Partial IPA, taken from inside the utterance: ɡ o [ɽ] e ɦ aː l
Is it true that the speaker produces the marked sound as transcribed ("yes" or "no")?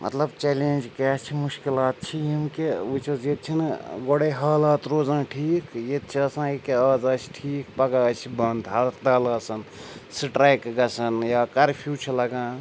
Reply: yes